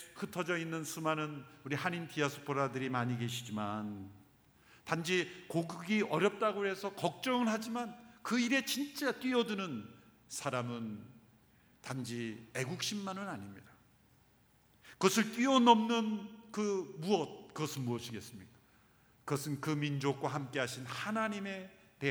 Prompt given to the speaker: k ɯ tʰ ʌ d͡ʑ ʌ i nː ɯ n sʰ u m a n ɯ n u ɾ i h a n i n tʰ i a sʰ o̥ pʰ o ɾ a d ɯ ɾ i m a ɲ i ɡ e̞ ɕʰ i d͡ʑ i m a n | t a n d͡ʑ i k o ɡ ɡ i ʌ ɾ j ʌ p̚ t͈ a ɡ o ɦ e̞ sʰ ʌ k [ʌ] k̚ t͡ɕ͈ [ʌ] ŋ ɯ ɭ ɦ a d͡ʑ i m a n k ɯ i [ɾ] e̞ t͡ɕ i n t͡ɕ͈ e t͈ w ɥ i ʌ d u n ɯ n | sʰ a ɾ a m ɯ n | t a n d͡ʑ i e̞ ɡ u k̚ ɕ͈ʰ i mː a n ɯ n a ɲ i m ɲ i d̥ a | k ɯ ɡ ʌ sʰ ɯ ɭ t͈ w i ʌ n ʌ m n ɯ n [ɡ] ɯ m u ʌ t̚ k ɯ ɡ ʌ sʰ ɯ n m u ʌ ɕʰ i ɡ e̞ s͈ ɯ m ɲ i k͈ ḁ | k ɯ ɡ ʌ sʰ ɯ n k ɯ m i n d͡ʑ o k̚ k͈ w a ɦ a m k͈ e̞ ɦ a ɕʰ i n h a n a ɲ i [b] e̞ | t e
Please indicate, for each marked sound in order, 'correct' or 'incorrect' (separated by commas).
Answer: correct, correct, correct, incorrect, incorrect